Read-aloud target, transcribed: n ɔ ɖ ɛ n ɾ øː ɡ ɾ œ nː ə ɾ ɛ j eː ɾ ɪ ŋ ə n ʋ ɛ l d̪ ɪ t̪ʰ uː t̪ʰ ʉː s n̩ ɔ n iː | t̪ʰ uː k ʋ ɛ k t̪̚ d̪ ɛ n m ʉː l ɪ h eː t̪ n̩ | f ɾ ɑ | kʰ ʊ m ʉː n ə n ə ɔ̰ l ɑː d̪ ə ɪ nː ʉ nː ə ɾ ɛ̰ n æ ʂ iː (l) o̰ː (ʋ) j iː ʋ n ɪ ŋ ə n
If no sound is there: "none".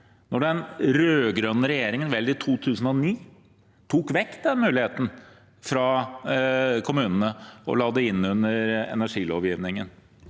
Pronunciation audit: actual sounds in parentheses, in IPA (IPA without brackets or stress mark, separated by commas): l, ʋ